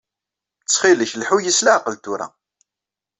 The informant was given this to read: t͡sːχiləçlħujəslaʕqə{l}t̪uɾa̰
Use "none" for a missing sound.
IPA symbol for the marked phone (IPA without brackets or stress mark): l